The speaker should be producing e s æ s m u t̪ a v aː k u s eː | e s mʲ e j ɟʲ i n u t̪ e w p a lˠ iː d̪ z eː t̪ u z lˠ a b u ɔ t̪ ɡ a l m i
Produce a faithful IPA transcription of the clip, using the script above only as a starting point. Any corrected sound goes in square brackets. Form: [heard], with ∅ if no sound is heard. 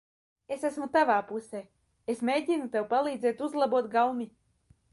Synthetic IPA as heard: e s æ s m u t̪ a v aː [p] u s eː | e s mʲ e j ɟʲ i n u t̪ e w p a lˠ iː d̪ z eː t̪ u z lˠ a b u ɔ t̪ ɡ a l m i